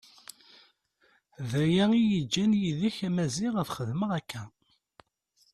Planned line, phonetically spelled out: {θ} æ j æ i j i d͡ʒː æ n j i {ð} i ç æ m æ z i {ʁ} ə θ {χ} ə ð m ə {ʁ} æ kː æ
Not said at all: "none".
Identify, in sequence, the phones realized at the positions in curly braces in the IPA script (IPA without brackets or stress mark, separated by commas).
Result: ð, ð, ʁ, χ, ʁ